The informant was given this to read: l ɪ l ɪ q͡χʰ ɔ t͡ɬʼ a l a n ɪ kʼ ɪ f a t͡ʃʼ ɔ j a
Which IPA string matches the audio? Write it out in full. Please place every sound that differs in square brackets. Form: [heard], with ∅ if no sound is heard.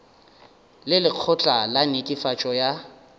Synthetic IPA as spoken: l ɪ l ɪ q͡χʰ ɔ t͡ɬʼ a l a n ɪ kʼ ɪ f a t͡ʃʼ ɔ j a